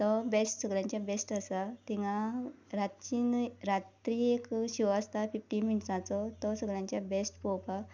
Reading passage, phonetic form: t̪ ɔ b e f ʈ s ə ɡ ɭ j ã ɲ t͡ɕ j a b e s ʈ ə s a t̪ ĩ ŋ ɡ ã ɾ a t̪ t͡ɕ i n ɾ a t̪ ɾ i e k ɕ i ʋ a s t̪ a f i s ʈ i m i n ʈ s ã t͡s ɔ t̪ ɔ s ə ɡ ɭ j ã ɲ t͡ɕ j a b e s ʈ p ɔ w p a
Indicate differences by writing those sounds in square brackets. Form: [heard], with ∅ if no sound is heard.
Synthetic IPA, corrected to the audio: t̪ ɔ b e [s] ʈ s ə ɡ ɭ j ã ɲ t͡ɕ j a b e s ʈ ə s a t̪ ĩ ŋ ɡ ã ɾ a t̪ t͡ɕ i n ɾ a t̪ ɾ i e k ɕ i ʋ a s t̪ a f i [f] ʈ i m i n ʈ s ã t͡s ɔ t̪ ɔ s ə ɡ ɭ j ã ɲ t͡ɕ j a b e s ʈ p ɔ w p a